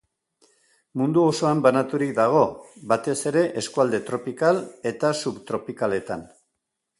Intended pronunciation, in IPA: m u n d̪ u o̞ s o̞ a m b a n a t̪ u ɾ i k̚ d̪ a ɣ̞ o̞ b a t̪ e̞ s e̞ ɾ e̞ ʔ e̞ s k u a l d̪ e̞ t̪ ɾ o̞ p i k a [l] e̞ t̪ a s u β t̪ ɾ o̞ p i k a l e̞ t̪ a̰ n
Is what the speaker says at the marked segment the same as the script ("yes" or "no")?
yes